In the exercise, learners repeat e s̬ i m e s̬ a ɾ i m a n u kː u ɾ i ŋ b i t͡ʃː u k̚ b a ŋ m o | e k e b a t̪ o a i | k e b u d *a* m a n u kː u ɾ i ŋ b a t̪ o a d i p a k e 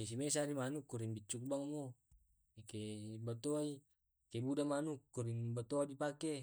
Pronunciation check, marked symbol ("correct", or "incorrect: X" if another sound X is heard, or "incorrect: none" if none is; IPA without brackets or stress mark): correct